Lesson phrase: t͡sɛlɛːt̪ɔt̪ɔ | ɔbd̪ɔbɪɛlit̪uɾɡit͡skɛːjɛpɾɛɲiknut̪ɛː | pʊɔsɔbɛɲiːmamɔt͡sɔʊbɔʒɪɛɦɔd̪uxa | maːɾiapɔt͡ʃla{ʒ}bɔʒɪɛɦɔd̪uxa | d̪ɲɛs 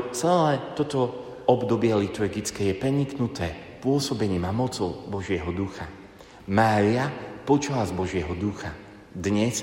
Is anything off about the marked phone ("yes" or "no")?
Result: yes